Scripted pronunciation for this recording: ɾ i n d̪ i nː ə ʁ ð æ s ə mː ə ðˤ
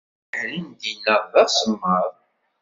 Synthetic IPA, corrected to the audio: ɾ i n d̪ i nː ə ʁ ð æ s ə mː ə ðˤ